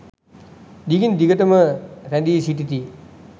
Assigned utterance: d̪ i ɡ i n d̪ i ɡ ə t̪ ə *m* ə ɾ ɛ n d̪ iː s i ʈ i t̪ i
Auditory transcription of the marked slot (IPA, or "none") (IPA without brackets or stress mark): m